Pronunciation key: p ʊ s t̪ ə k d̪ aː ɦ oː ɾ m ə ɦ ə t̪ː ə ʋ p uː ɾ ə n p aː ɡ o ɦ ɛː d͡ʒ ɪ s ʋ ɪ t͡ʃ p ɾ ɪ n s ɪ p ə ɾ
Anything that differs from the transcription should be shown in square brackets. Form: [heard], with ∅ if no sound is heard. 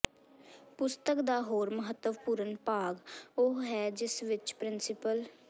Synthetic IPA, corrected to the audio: p ʊ s t̪ ə k d̪ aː ɦ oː ɾ m ə ɦ ə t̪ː ə ʋ p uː ɾ ə n p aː ɡ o ɦ ɛː d͡ʒ ɪ s ʋ ɪ t͡ʃ p ɾ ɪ n s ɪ p ə [l]